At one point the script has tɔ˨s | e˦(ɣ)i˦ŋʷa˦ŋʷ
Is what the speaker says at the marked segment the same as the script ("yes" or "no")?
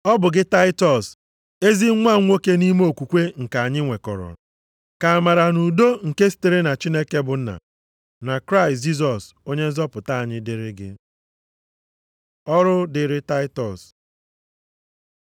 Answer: no